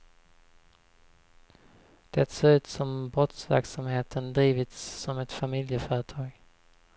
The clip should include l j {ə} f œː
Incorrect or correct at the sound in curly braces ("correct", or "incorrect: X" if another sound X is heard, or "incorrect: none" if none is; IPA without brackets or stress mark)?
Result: correct